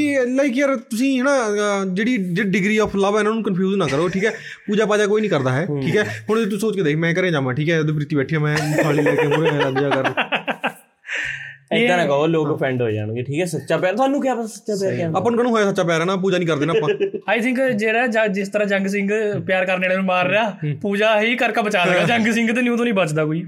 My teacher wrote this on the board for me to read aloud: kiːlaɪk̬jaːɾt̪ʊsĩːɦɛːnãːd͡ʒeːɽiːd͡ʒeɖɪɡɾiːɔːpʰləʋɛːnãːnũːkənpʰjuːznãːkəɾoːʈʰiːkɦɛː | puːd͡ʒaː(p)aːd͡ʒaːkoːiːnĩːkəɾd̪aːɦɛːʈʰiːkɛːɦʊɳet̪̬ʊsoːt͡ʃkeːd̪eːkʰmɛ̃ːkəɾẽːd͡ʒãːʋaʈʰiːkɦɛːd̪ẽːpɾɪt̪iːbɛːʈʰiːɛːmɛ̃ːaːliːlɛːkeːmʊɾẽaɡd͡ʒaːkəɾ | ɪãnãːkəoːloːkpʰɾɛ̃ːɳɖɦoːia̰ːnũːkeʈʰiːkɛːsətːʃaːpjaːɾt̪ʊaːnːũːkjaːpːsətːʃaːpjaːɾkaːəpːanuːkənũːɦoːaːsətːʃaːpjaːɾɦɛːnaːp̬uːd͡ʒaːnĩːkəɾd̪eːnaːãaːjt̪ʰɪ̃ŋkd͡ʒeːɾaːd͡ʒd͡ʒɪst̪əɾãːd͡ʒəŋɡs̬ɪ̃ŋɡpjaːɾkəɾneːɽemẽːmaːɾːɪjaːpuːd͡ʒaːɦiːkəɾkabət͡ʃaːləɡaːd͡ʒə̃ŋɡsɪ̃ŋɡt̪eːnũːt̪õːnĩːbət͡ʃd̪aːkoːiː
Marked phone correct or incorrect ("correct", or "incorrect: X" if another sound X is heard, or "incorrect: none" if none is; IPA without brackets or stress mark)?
correct